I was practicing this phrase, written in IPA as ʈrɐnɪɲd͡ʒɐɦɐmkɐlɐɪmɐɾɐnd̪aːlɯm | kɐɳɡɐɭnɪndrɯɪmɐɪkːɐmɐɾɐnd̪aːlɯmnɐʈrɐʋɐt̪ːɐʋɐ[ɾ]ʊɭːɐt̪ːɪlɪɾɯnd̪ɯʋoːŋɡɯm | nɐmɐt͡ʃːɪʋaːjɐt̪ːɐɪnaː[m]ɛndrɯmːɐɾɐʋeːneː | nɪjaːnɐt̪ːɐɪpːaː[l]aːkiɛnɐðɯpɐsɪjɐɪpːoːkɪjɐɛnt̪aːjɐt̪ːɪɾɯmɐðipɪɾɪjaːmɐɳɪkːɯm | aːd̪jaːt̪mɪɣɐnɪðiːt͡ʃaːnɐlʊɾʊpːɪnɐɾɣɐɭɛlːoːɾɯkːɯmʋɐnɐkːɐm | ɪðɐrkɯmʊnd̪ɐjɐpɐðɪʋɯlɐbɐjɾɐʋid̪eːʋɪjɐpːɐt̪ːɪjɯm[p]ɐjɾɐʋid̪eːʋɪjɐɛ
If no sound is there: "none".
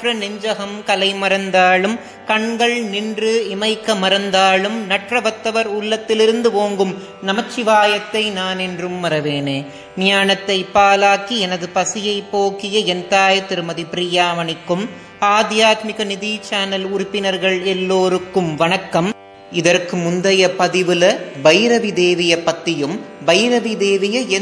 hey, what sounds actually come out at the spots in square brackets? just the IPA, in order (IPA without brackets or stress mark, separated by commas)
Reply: ɾ, n, l, b